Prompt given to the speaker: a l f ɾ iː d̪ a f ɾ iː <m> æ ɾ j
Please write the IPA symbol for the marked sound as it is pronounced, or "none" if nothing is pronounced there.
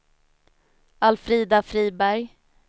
b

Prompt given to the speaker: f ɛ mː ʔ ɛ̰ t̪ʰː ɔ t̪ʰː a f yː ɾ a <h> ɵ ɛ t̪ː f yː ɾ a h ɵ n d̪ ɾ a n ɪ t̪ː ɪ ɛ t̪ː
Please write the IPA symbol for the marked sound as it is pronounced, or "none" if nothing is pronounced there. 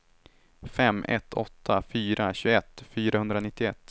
ɕ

